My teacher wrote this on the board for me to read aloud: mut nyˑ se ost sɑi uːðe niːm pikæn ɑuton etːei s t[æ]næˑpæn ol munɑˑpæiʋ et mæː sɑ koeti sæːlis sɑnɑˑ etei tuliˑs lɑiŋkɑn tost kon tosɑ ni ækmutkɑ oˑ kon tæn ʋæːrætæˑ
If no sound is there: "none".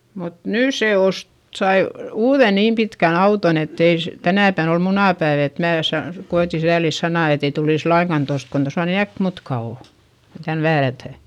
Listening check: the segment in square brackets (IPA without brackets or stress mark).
æ